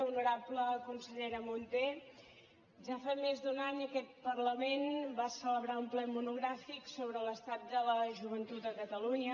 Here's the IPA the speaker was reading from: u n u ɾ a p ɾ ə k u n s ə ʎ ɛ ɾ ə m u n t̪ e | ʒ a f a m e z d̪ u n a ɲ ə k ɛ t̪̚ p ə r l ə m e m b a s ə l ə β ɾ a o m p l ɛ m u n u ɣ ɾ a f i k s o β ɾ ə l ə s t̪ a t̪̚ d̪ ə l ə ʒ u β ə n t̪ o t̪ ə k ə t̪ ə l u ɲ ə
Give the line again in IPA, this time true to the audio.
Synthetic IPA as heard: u n u ɾ a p l ə k u n s ə ʎ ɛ ɾ ə m u n t̪ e | ʒ a f a m e z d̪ u n a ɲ ə k ɛ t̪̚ p ə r l ə m e n b a s ə l ə β ɾ a u m p l ɛ m u n u ɣ ɾ a f i k s o β ɾ ə l ə s t̪ a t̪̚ d̪ ə l ə ʒ u β ə n t̪ u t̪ ə k ə t̪ ə l u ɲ ə